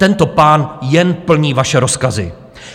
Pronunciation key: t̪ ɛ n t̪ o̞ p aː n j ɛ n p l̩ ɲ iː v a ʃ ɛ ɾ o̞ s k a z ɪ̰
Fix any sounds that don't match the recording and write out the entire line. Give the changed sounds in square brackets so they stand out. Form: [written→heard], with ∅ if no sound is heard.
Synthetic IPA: t̪ ɛ n t̪ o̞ p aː n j ɛ n p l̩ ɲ iː v a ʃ ɛ ɾ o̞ s k a z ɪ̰